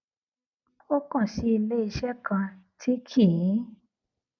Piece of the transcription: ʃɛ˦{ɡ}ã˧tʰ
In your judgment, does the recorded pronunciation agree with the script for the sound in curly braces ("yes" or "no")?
no